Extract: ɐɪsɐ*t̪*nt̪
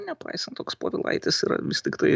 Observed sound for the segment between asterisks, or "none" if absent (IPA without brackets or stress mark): none